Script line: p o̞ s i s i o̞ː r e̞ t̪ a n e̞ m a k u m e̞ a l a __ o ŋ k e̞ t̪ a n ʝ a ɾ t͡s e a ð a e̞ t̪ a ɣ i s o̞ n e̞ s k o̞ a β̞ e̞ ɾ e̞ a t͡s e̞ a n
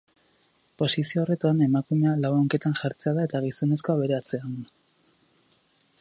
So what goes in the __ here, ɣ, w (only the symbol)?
w